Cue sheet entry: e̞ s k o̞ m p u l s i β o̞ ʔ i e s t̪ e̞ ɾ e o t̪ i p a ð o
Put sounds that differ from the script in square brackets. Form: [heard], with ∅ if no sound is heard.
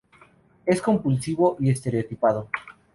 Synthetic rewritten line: e̞ s k o̞ m p u l s i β o̞ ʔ i e s t̪ e̞ ɾ e o t̪ i p a ð o